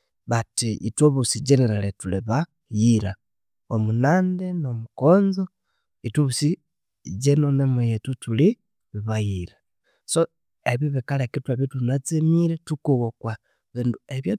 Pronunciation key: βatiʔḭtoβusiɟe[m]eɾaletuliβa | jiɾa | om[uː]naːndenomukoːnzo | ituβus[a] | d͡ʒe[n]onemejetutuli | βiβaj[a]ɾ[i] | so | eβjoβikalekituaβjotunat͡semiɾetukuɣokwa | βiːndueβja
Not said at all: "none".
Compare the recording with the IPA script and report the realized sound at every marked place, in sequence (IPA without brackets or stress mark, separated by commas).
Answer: n, u, i, n, i, a